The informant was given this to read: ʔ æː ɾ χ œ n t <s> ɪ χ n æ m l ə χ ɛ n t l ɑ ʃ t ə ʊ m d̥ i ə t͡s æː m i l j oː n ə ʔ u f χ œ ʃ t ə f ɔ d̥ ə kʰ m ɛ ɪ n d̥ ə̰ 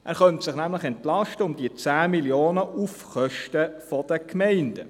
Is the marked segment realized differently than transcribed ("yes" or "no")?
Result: no